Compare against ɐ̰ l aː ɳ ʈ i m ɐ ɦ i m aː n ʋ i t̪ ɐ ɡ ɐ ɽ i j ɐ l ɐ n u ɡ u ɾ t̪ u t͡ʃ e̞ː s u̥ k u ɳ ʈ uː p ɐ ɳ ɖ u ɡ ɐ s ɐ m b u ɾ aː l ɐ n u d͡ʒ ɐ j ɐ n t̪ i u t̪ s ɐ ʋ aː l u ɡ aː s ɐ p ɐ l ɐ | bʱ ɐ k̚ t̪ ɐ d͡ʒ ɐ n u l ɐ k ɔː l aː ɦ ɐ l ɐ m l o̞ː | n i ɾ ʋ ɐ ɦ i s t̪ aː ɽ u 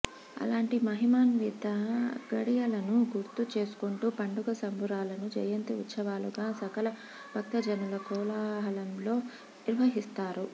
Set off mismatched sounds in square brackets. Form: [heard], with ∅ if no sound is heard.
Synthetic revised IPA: ɐ̰ l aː ɳ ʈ i m ɐ ɦ i m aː n ʋ i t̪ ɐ ɡ ɐ ɽ i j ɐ l ɐ n u ɡ u ɾ t̪ u t͡ʃ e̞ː s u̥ k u ɳ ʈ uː p ɐ ɳ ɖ u ɡ ɐ s ɐ m b u ɾ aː l ɐ n u d͡ʒ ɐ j ɐ n t̪ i u t̪ s ɐ ʋ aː l u ɡ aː s ɐ [k] ɐ l ɐ | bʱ ɐ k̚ t̪ ɐ d͡ʒ ɐ n u l ɐ k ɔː l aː ɦ ɐ l ɐ m l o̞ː | n i ɾ ʋ ɐ ɦ i s t̪ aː [ɾ] u